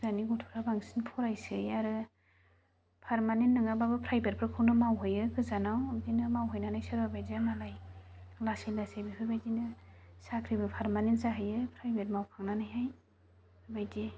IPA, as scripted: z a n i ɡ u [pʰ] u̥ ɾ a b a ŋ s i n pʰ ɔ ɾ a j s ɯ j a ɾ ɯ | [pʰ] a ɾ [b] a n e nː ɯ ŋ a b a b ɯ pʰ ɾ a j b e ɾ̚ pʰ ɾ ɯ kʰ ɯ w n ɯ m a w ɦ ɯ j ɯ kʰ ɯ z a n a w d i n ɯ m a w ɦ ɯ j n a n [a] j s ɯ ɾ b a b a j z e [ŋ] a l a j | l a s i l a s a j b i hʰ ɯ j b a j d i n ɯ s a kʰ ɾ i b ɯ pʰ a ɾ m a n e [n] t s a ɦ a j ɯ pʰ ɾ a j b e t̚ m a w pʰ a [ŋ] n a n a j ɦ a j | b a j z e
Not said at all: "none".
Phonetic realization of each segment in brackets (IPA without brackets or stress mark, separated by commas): tʰ, pʰ, m, a, m, n, ŋ